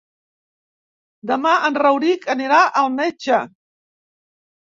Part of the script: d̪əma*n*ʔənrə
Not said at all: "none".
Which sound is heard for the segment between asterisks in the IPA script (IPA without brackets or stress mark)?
none